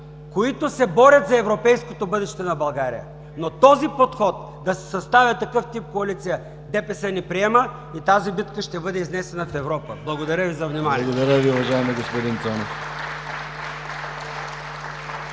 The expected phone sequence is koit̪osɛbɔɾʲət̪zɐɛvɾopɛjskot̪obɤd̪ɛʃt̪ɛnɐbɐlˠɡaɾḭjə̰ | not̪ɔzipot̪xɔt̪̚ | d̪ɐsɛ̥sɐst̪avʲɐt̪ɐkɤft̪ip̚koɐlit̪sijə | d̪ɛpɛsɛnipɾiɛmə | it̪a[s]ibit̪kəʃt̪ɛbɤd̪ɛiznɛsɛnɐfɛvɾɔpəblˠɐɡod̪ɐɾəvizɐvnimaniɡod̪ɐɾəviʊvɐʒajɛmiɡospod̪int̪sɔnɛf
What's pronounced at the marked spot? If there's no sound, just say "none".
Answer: z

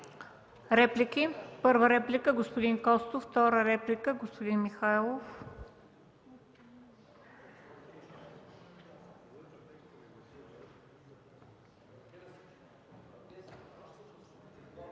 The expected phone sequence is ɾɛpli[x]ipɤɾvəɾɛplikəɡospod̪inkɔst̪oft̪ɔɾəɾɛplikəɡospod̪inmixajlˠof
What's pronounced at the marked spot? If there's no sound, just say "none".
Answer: k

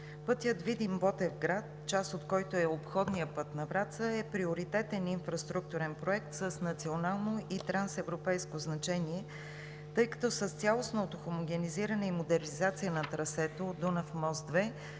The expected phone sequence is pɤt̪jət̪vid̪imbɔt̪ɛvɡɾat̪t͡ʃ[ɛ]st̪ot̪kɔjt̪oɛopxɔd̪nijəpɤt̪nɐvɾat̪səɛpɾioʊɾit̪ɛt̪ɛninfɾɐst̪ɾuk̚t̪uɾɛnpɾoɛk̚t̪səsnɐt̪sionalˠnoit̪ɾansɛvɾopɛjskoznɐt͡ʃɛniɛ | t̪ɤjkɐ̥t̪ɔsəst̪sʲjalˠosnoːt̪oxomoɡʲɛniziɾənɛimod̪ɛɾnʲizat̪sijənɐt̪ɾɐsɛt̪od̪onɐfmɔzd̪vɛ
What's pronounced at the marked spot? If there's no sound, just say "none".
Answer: a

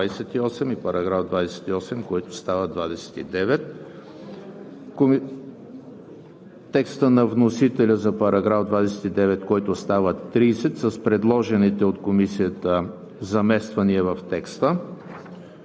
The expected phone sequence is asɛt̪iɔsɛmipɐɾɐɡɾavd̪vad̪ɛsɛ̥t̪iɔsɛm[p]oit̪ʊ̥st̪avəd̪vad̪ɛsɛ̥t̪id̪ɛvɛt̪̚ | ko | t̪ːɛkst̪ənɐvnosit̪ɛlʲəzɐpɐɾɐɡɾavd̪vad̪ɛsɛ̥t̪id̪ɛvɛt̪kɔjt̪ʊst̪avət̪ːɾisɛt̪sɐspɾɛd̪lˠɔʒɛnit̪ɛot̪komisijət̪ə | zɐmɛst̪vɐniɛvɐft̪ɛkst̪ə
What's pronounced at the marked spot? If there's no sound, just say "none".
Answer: k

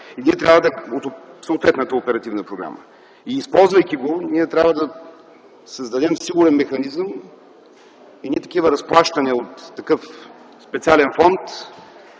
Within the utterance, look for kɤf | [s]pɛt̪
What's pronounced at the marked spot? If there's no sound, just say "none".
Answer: s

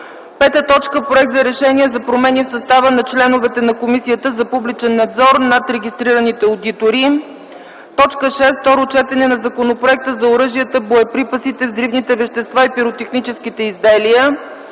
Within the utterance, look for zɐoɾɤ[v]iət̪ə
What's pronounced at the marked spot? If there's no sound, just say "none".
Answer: ʒ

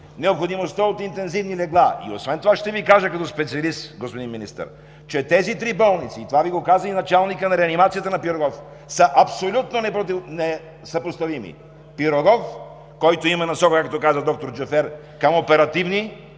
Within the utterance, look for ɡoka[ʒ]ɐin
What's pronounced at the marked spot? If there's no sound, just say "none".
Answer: z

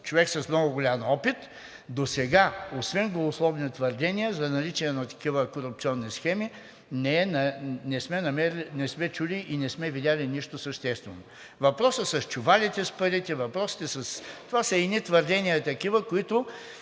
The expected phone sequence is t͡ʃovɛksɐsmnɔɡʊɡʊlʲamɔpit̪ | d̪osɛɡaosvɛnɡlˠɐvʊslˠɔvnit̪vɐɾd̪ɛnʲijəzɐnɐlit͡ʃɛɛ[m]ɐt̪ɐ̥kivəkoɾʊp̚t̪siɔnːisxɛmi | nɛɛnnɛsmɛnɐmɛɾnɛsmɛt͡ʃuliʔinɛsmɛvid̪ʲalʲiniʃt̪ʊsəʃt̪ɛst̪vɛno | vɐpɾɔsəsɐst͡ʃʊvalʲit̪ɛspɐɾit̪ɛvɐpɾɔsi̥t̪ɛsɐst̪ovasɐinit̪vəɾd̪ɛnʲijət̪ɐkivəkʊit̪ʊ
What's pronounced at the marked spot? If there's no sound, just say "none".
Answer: n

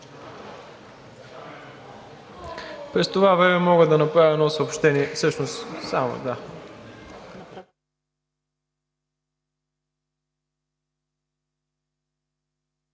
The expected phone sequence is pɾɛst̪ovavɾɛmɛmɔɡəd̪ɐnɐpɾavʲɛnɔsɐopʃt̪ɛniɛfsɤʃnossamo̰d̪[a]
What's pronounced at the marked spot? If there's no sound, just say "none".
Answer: a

